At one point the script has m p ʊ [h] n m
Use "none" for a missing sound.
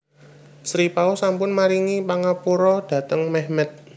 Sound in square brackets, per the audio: none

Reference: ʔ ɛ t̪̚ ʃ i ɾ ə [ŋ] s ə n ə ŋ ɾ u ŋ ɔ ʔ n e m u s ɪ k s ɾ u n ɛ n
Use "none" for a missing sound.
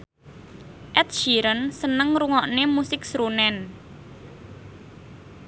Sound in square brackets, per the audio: n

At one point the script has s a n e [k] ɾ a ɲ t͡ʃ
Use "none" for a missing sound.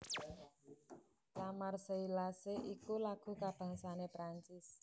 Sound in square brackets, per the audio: p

